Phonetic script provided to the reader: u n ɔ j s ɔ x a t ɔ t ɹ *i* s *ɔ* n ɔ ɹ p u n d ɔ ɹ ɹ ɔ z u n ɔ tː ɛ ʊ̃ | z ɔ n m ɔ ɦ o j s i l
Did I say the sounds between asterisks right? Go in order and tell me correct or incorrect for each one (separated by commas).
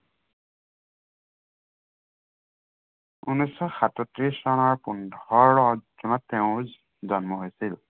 correct, correct